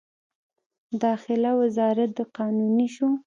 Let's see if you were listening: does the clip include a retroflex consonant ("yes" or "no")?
no